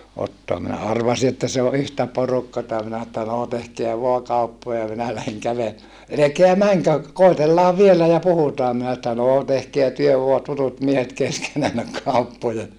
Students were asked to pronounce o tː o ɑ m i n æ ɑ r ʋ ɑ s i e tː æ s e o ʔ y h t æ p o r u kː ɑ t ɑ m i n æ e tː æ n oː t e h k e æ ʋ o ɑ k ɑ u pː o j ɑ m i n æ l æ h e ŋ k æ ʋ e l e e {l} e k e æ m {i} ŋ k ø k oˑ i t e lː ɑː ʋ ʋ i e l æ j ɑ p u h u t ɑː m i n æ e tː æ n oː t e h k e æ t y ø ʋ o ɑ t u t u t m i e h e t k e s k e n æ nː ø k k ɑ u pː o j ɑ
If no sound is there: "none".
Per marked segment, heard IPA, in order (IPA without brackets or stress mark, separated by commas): l, æ